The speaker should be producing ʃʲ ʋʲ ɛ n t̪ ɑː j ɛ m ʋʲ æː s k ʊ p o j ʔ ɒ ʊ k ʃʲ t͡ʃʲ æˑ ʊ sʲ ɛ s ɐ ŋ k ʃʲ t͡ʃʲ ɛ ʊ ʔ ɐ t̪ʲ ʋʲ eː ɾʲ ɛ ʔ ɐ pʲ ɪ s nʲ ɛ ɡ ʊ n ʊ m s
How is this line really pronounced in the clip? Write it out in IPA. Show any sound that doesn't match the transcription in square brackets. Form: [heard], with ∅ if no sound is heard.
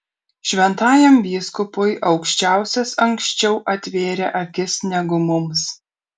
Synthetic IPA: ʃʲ ʋʲ ɛ n t̪ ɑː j ɛ m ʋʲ [iː] s k ʊ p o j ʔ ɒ ʊ k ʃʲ t͡ʃʲ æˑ ʊ sʲ ɛ s ɐ ŋ k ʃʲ t͡ʃʲ ɛ ʊ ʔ ɐ t̪ʲ ʋʲ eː ɾʲ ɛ ʔ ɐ [kʲ] ɪ s nʲ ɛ ɡ ʊ [m] ʊ m s